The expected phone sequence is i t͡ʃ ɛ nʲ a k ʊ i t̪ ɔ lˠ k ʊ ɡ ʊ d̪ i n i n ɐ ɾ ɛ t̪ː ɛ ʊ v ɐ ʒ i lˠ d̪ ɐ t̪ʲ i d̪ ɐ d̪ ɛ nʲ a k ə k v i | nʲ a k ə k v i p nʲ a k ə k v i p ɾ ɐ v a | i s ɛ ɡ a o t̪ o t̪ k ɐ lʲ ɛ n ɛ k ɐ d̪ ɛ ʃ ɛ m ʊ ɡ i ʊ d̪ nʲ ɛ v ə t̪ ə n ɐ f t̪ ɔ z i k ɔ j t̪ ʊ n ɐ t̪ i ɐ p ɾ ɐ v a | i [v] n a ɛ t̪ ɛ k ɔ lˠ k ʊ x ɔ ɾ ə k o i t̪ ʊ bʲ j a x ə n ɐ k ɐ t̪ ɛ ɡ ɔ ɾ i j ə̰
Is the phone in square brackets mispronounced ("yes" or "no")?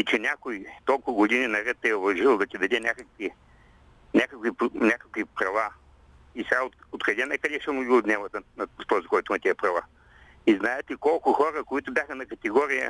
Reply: yes